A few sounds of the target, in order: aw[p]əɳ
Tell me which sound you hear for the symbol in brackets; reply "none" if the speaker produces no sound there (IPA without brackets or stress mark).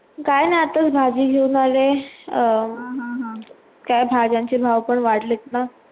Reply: p